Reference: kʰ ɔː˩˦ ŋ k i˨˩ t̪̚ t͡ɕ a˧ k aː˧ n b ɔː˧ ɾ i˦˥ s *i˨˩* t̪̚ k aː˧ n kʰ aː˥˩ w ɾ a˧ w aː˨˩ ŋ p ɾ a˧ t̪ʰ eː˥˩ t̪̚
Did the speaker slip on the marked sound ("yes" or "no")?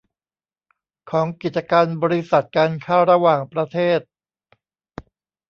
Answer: yes